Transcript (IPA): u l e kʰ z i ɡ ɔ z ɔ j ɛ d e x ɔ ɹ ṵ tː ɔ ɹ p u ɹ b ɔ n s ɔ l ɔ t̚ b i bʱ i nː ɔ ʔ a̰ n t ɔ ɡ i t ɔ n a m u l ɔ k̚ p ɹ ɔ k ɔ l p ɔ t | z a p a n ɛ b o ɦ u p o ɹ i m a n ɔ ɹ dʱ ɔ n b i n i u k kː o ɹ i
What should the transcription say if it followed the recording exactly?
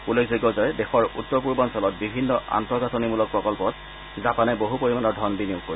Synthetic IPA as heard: u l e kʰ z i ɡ ɔ z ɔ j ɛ d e x ɔ ɹ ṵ tː ɔ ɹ p u ɹ b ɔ n s ɔ l ɔ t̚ b i bʱ i nː ɔ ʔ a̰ n t ɔ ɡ a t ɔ n i m u l ɔ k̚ p ɹ ɔ k ɔ l p ɔ t | z a p a n ɛ b o ɦ u p o ɹ i m a n ɔ ɹ dʱ ɔ n b i n i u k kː o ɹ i